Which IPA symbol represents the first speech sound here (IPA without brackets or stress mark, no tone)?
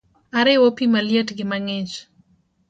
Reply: a